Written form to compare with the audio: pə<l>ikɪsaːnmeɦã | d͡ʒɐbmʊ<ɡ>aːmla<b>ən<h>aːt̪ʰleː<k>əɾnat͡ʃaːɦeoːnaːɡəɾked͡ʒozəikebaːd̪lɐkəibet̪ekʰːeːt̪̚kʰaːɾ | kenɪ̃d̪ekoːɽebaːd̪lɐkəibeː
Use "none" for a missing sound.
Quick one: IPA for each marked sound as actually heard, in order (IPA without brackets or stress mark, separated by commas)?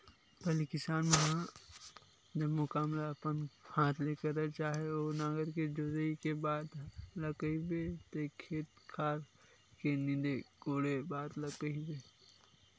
l, k, p, h, k